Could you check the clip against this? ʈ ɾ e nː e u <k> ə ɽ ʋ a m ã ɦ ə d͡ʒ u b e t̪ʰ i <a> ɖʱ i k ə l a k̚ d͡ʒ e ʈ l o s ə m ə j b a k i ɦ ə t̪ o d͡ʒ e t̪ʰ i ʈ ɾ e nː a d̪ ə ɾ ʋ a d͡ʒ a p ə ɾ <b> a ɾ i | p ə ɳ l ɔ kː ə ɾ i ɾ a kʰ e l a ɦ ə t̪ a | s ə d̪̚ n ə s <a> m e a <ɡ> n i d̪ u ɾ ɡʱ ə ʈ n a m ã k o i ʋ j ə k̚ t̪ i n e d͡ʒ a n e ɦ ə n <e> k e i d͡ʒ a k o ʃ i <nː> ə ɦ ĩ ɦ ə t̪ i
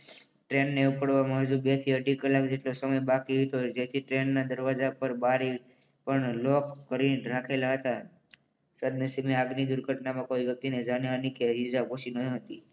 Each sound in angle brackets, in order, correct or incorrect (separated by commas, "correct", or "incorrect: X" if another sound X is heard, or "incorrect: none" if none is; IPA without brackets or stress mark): incorrect: p, incorrect: ə, correct, incorrect: i, correct, incorrect: i, incorrect: n